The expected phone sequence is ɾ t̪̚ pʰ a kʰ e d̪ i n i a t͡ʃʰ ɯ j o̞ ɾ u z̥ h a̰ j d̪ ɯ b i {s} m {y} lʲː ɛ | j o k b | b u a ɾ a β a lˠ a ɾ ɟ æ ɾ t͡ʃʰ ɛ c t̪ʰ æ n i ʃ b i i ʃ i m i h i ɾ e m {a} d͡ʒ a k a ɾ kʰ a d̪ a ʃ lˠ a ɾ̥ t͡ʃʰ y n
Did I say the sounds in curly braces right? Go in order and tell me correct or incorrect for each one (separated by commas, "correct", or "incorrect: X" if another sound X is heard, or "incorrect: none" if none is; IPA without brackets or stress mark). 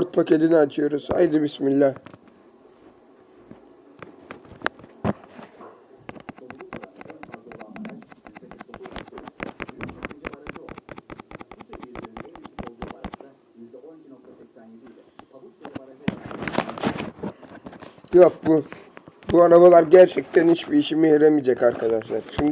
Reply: correct, incorrect: i, incorrect: i